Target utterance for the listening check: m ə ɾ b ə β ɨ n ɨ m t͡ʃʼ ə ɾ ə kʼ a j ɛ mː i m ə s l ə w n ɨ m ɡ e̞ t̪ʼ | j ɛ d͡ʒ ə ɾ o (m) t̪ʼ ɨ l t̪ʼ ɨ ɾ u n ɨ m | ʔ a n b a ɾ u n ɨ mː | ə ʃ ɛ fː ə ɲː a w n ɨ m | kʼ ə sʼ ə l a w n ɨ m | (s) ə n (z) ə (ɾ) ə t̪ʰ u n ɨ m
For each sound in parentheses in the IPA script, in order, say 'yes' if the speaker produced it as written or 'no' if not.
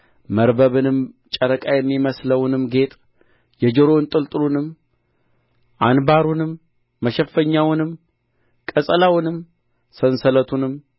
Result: no, yes, no, no

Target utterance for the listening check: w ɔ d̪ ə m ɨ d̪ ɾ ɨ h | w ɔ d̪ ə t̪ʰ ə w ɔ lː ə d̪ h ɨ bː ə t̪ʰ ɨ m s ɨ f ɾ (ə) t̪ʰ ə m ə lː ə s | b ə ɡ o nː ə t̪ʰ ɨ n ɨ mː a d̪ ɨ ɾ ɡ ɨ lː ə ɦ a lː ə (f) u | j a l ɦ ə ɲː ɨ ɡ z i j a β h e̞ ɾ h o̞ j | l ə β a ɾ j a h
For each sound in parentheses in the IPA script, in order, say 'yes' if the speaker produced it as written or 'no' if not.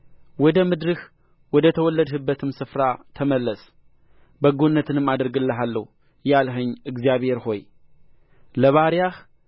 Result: no, no

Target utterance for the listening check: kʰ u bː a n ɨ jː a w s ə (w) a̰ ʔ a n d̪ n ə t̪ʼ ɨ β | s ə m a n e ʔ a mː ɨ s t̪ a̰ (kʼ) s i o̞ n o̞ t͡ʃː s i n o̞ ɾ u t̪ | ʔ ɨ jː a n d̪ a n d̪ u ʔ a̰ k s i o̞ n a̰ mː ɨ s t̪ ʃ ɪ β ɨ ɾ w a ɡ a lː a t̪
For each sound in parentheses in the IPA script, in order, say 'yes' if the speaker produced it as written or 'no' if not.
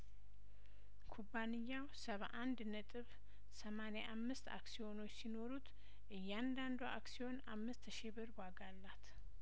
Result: no, no

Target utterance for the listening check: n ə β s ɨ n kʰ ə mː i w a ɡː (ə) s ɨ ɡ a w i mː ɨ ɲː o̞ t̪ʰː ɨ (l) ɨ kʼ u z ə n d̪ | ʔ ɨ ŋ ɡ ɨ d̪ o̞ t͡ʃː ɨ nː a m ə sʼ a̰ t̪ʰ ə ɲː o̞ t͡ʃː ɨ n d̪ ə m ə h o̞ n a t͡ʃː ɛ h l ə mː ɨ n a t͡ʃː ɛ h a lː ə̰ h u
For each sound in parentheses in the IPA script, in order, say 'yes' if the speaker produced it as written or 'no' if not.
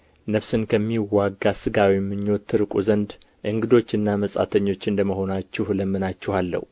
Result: no, no

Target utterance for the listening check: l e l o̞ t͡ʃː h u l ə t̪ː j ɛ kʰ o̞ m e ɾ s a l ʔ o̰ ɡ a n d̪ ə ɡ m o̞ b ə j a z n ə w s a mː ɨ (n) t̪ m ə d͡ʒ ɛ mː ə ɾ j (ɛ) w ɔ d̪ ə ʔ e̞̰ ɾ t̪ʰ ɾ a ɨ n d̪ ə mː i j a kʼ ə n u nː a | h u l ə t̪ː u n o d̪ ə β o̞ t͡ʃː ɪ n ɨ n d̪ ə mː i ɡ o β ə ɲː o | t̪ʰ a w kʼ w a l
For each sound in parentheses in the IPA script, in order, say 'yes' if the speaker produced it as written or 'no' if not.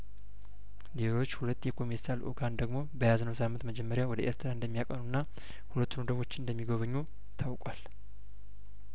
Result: yes, no

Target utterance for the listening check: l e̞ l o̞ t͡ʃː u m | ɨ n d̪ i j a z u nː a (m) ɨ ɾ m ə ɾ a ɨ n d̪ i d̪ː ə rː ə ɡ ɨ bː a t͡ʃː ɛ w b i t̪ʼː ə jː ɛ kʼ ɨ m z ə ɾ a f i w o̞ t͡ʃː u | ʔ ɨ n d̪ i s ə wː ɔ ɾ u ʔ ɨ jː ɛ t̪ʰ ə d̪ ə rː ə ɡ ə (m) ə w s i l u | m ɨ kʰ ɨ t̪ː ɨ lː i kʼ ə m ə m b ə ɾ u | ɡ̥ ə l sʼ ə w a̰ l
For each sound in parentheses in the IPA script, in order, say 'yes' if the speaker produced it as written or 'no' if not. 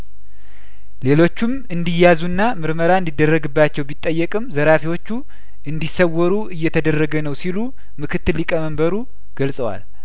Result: yes, no

